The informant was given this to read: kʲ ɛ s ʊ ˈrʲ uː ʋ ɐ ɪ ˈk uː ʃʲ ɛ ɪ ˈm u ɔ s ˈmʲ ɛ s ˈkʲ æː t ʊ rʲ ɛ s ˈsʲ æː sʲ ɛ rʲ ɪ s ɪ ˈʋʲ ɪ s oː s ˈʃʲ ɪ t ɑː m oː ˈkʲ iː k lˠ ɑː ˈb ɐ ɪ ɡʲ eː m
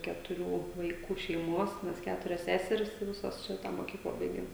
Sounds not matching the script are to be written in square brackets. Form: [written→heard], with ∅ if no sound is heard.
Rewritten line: kʲ ɛ [s→t] ʊ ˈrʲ uː ʋ ɐ ɪ ˈk uː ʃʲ ɛ ɪ ˈm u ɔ s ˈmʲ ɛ s ˈkʲ æː t ʊ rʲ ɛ s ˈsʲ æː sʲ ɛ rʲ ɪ s ɪ ˈʋʲ ɪ s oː s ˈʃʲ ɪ t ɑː m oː ˈkʲ iː k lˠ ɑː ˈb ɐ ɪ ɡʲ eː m

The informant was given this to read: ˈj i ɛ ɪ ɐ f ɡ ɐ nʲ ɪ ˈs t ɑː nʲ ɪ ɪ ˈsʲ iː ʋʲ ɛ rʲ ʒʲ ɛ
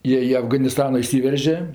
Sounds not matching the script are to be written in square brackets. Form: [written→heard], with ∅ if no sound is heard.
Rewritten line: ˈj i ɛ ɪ ɐ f ɡ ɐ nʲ ɪ ˈs t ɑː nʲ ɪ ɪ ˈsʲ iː ʋʲ ɛ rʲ ʒʲ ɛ

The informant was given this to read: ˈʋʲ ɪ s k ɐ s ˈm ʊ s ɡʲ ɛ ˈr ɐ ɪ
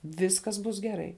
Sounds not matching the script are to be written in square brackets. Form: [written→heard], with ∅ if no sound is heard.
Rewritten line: ˈʋʲ ɪ s k ɐ s [ˈm→ˈb] ʊ s ɡʲ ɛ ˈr ɐ ɪ

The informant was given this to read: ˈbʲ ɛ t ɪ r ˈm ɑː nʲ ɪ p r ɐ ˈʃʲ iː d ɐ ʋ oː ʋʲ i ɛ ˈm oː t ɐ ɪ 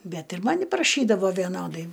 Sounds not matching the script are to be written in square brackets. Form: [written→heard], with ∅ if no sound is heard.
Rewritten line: ˈbʲ ɛ t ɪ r ˈm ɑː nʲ ɪ p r ɐ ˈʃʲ iː d ɐ ʋ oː ʋʲ i ɛ [ˈm→ˈn] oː [t→d] ɐ ɪ

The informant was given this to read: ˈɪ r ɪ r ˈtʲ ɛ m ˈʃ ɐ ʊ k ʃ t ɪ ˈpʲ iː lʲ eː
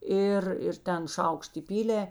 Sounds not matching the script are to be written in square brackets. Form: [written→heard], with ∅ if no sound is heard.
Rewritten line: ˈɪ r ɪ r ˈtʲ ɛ [m→n] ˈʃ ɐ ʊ k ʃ t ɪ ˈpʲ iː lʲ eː

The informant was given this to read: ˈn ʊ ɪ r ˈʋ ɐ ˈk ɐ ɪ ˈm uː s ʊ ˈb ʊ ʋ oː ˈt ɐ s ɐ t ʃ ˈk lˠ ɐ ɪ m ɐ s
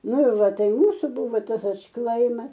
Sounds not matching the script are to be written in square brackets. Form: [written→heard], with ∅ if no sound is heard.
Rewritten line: ˈn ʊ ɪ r ˈʋ ɐ [ˈk→ˈt] ɐ ɪ ˈm uː s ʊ ˈb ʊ ʋ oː ˈt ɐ s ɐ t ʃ ˈk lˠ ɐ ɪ m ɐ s

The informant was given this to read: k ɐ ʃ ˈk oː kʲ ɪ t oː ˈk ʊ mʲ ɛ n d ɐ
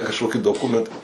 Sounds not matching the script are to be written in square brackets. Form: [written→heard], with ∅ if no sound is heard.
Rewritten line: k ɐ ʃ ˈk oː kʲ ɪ [t→d] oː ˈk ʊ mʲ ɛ n [d→t] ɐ

